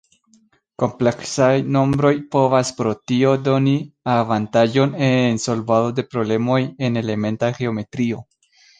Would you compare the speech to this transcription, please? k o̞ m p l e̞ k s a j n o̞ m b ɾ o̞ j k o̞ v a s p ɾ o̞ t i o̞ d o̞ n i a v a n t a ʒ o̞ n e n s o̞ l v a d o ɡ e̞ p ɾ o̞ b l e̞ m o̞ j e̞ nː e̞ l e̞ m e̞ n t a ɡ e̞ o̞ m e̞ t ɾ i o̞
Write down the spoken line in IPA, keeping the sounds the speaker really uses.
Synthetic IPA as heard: k o̞ m p l e̞ k s a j n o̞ m b ɾ o̞ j p o̞ v a s p ɾ o̞ t i o̞ d o̞ n i a v a n t a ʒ o̞ n e n s o̞ l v a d o d e̞ p ɾ o̞ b l e̞ m o̞ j e̞ n e̞ l e̞ m e̞ n t a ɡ e̞ o̞ m e̞ t ɾ i o̞

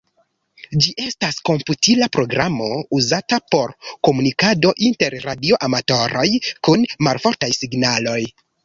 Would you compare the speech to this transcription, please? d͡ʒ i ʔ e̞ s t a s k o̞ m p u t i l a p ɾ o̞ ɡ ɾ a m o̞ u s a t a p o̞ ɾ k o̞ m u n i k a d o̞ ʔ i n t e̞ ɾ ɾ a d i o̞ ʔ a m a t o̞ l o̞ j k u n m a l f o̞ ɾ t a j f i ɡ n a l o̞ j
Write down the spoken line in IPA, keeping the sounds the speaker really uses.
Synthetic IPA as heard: d͡ʒ i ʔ e̞ s t a s k o̞ m p u t i l a p ɾ o̞ ɡ ɾ a m o̞ u z a t a p o̞ ɾ k o̞ m u n i k a d o̞ ʔ i n t e̞ ɾ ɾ a d i o̞ ʔ a m a t o̞ ɾ o̞ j k u n m a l f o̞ ɾ t a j s i ɡ n a l o̞ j

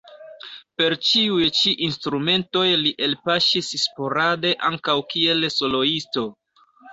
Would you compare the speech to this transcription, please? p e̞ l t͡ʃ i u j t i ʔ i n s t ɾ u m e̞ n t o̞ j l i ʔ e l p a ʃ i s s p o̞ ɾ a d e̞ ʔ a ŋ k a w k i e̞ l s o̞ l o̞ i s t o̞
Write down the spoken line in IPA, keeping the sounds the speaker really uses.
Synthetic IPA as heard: p e̞ ɾ t͡ʃ i u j t͡ʃ i ʔ i n s t ɾ u m e̞ n t o̞ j l i ʔ e l p a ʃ i s s p o̞ ɾ a d e̞ ʔ a ŋ k a w k i e̞ l s o̞ l o̞ i s t o̞

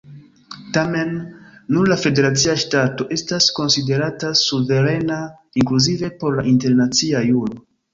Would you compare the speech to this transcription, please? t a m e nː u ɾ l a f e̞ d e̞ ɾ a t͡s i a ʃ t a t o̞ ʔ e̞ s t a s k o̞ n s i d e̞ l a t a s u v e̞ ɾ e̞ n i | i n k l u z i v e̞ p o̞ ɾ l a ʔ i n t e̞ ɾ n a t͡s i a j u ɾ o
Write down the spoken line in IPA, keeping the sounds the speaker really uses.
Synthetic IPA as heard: t a m e nː u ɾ l a f e̞ d e̞ ɾ a t͡s i a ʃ t a t o̞ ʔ e̞ s t a s k o̞ n s i d e̞ ɾ a t a s u v e̞ ɾ e̞ n a | i ŋ k l u z i v e̞ p o̞ ɾ l a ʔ i n t e̞ ɾ n a t͡s i a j u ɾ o

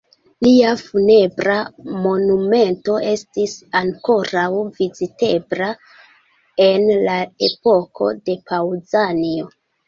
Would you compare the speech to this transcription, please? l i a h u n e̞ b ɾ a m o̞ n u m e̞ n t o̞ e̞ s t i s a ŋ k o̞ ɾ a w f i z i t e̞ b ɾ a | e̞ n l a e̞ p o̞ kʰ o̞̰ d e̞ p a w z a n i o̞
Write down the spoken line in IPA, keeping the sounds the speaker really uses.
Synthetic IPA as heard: l i a f u n e̞ b ɾ a m o̞ n u m e̞ n t o̞ e̞ s t i s a ŋ k o̞ ɾ a w v i z i t e̞ b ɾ a | e̞ n l a e̞ p o̞ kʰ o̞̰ d e̞ p a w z a n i o̞

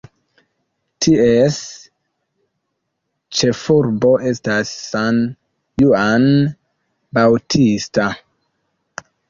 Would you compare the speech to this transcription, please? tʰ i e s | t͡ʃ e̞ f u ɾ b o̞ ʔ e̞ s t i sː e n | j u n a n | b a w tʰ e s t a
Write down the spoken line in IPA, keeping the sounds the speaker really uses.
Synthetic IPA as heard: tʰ i e s | t͡ʃ e̞ f u ɾ b o̞ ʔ e̞ s t a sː a n | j u a n | b a w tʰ i s t a

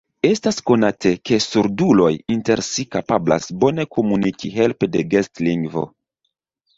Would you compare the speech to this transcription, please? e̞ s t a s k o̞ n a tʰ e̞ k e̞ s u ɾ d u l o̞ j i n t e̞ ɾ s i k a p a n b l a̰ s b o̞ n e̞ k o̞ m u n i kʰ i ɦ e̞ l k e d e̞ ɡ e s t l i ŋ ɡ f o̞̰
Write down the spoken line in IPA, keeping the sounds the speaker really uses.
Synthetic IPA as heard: e̞ s t a s k o̞ n a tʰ e̞ k e̞ s u ɾ d u l o̞ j i n t e̞ ɾ s i k a p a b l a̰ s b o̞ n e̞ k o̞ m u n i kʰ i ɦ e̞ l p e d e̞ ɡ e s t l i ŋ ɡ v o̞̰

